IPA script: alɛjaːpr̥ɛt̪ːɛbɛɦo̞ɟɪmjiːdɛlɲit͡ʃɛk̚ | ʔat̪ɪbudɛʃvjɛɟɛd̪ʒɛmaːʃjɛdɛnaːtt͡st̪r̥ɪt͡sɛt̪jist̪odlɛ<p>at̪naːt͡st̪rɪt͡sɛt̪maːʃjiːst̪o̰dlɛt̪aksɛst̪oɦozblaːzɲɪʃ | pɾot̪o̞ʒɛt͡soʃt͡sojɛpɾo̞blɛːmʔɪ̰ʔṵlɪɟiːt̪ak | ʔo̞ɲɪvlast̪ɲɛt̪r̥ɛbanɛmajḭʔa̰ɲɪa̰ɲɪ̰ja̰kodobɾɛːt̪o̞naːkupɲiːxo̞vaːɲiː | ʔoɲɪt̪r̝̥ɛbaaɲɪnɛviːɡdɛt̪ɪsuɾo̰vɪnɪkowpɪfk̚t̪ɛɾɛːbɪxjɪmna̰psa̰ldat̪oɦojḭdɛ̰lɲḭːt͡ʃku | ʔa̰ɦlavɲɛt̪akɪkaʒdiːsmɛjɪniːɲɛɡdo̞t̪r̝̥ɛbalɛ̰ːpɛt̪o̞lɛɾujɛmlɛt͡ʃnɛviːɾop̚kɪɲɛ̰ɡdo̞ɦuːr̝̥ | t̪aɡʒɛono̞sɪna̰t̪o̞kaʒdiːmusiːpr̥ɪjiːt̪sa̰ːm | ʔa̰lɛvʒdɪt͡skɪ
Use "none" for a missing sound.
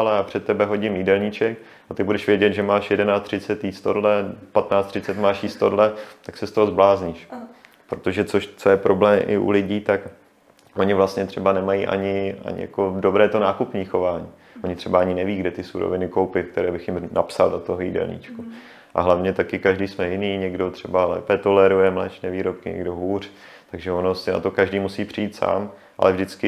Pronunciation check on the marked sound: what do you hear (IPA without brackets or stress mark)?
p